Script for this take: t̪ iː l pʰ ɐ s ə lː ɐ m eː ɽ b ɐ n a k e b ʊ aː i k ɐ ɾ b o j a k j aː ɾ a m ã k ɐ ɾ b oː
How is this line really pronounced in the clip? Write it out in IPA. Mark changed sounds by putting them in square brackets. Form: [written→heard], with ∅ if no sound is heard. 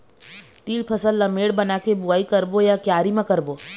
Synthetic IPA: t̪ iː l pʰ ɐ s ə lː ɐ m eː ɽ b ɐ n a k e b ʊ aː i k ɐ ɾ b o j a k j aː ɾ [a→i] m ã k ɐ ɾ b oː